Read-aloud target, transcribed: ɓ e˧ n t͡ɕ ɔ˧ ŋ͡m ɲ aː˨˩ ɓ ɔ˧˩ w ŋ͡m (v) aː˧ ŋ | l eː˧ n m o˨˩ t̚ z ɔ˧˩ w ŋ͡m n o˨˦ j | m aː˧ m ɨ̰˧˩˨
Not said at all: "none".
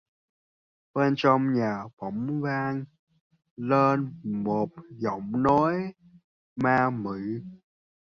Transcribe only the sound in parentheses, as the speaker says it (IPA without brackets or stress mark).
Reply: v